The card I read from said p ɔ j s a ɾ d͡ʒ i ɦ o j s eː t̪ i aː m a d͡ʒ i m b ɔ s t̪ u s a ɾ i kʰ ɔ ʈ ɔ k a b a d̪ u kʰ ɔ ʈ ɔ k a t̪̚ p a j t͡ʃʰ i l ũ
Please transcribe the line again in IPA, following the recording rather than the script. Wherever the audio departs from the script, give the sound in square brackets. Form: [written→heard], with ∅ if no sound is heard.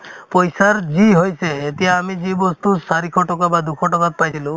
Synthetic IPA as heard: p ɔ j s a ɾ d͡ʒ i ɦ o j s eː t̪ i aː m [a→i] d͡ʒ i [m→∅] b ɔ s t̪ u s a ɾ i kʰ ɔ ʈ ɔ k a b a d̪ u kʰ ɔ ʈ ɔ k a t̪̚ p a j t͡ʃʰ i l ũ